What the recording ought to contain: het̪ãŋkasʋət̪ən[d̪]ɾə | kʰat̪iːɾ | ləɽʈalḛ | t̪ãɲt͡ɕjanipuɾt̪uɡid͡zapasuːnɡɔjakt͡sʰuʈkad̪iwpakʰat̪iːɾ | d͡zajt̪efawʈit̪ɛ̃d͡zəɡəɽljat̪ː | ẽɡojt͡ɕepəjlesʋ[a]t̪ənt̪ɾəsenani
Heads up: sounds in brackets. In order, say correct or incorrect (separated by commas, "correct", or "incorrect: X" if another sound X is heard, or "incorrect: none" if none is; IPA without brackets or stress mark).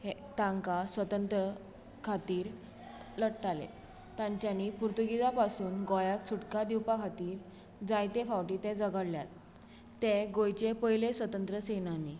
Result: incorrect: t̪, incorrect: ə